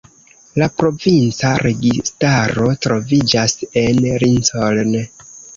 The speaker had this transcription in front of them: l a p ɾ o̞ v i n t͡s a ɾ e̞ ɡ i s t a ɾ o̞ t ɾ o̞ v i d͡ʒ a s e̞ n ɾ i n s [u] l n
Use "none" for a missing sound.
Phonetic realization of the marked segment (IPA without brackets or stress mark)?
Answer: o